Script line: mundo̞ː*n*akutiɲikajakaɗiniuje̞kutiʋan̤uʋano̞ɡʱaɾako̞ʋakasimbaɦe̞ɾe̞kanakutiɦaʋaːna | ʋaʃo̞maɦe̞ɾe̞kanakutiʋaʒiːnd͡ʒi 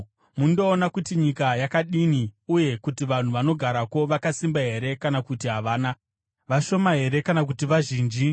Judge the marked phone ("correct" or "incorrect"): correct